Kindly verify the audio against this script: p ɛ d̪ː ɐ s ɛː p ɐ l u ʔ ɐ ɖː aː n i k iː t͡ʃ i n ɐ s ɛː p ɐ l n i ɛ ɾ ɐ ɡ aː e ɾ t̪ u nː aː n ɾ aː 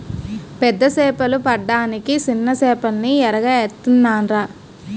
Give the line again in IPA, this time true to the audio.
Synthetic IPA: p ɛ d̪ː ɐ s ɛː p ɐ l u p ɐ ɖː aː n i k i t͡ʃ i nː ɐ s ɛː p ɐ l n i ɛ ɾ ɐ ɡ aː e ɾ t̪ u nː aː n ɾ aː